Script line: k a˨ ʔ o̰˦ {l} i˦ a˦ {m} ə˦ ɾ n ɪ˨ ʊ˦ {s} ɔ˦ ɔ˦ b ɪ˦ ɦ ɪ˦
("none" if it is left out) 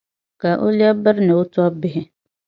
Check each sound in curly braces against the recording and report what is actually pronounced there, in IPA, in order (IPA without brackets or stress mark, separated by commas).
l, b, t